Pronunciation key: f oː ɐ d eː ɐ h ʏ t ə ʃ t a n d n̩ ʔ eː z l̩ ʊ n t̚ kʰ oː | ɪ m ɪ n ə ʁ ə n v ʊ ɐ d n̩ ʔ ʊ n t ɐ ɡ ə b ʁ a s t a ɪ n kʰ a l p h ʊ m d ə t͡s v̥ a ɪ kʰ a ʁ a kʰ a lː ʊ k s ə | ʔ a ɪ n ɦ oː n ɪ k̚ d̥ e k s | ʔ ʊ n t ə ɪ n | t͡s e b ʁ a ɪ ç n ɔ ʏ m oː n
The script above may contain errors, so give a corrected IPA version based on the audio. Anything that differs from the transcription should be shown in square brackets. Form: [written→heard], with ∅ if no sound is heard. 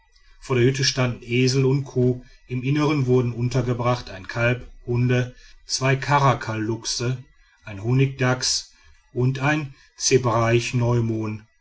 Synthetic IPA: f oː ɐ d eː ɐ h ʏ t ə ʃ t a n d n̩ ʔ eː z l̩ ʊ n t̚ kʰ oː | ɪ m ɪ n ə ʁ ə n v ʊ ɐ d n̩ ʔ ʊ n t ɐ ɡ ə b ʁ a [s→χ] t a ɪ n kʰ a l p h ʊ [m→n] d ə t͡s v̥ a ɪ kʰ a ʁ a kʰ a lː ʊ k s ə | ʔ a ɪ n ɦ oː n ɪ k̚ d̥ [e→a] k s | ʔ ʊ n t [ə→a] ɪ n | t͡s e b ʁ a ɪ ç n ɔ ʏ m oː n